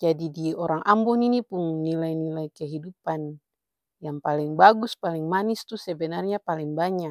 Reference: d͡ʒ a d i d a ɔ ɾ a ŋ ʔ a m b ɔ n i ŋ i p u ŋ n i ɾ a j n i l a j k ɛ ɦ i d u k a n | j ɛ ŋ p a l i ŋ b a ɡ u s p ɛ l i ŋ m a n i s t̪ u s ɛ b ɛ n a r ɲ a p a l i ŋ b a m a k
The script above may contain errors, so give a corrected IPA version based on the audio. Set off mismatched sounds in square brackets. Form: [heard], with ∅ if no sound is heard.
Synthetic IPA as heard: d͡ʒ a d i d [i] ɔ ɾ a ŋ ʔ a m b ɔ n i [n] i p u ŋ n i [l] a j n i l a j k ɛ ɦ i d u [p] a n | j [a] ŋ p a l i ŋ b a ɡ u s p [a] l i ŋ m a n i s t̪ u s ɛ b ɛ n a r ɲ a p a l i ŋ b a [ɲ] a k